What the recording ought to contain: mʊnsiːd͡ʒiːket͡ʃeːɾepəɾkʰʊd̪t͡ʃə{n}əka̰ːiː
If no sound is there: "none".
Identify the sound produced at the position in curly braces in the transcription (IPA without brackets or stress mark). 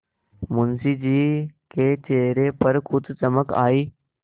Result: m